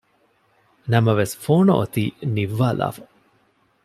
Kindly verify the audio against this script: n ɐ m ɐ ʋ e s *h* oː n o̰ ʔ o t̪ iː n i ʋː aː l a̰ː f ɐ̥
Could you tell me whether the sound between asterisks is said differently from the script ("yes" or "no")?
yes